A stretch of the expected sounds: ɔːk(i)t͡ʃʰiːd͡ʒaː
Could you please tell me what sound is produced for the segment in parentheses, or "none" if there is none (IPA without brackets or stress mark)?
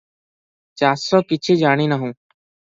ɪ